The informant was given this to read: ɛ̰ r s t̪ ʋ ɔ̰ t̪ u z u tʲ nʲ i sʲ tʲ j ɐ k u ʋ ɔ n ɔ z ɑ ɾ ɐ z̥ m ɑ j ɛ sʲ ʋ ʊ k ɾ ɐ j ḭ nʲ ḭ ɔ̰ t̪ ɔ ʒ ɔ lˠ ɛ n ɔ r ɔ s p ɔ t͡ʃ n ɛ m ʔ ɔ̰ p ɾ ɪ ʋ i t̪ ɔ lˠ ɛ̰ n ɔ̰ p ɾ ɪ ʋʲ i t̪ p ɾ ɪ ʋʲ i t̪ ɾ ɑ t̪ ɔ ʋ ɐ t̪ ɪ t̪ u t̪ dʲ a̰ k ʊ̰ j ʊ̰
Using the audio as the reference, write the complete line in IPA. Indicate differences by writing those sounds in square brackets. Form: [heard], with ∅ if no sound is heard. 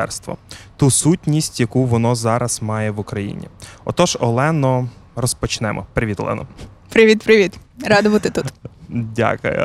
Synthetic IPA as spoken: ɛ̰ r s t̪ ʋ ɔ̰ t̪ u [s] u tʲ nʲ i sʲ tʲ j ɐ k u ʋ ɔ n ɔ z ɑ ɾ ɐ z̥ m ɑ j ɛ [∅] ʋ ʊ k ɾ ɐ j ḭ nʲ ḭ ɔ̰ t̪ ɔ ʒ ɔ lˠ ɛ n ɔ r ɔ s p ɔ t͡ʃ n ɛ m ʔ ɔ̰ p ɾ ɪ ʋ i t̪ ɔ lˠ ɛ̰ n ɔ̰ p ɾ ɪ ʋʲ i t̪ p ɾ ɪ ʋʲ i t̪ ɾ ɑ [d̪] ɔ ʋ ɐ t̪ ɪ t̪ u t̪ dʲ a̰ k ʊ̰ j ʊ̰